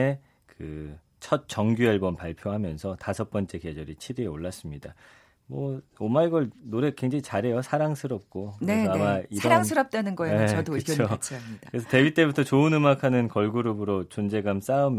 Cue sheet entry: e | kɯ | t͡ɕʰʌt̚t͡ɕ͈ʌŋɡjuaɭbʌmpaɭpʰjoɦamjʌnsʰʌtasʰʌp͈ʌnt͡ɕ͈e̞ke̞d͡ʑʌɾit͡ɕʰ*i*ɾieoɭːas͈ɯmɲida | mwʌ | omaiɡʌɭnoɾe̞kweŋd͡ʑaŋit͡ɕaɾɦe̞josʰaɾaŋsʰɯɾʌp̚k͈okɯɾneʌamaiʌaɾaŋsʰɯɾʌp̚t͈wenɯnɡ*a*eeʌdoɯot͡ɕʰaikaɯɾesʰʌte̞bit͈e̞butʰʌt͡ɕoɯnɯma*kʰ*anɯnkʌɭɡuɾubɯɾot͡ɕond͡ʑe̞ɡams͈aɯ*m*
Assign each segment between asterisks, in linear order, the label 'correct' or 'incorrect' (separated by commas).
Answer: correct, incorrect, correct, correct